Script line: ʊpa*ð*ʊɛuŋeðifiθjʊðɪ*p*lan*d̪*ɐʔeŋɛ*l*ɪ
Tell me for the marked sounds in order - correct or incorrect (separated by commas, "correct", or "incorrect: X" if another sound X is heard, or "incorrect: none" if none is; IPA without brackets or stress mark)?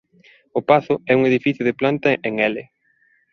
incorrect: θ, correct, incorrect: t̪, correct